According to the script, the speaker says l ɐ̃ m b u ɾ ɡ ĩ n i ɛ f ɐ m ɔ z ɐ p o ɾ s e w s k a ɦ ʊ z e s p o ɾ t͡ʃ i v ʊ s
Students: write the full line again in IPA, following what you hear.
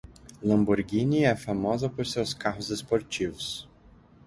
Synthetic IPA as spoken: l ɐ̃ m b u ɾ ɡ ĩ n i ɛ f a m ɔ z ɐ p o ɾ s e w s k a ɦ ʊ z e s p o ɾ t͡ʃ i v ʊ s